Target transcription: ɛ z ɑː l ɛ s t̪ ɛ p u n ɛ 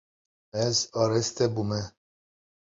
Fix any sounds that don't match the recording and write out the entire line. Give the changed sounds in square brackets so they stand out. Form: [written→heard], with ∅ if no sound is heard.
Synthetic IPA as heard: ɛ z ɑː [l→ɾ] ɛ s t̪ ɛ [p→b] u [n→m] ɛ